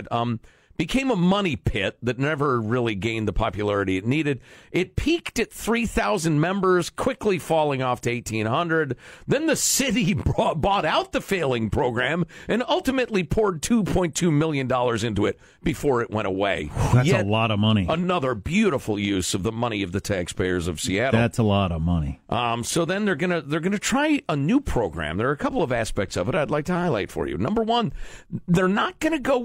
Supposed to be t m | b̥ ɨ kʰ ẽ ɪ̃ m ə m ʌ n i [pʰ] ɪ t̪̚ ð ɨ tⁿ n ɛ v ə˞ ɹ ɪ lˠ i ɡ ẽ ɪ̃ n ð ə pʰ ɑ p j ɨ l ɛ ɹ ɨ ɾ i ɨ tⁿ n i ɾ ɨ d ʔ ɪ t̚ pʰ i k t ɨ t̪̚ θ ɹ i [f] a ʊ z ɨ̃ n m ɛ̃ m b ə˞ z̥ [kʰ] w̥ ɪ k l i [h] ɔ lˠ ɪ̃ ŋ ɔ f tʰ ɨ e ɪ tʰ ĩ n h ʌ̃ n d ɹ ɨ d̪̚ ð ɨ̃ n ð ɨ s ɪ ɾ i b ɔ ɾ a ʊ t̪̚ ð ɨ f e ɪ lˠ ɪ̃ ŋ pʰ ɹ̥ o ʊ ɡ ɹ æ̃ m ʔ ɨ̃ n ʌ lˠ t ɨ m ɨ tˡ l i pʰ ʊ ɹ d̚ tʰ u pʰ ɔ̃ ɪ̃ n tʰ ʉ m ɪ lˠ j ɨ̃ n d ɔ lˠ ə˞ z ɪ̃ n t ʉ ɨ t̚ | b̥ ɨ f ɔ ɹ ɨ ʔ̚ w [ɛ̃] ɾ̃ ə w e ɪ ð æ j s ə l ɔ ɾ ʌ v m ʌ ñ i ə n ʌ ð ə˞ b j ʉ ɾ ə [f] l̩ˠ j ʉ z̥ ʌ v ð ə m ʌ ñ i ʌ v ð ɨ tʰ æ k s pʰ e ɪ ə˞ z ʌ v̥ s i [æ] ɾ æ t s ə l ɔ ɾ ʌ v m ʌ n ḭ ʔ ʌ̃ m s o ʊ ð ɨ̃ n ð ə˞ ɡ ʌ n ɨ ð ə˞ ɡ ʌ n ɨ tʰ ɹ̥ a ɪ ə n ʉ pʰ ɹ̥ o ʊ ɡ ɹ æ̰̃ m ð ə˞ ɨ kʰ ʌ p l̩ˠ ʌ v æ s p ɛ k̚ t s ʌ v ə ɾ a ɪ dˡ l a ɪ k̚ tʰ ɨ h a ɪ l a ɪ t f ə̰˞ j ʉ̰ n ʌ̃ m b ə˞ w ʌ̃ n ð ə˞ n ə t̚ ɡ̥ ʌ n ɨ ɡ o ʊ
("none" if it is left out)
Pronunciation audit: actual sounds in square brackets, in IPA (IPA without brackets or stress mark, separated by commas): pʰ, θ, kʰ, f, ɛ̃, f, æ